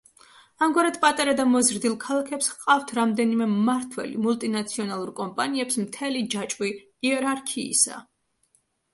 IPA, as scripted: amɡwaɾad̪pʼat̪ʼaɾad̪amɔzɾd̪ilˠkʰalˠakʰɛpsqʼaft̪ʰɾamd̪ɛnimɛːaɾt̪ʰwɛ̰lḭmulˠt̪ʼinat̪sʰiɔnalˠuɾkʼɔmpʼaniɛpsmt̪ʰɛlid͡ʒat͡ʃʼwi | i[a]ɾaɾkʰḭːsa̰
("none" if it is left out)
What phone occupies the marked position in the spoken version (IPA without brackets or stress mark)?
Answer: ɛ